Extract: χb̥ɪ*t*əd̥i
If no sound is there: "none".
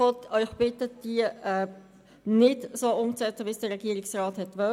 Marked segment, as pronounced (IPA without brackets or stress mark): t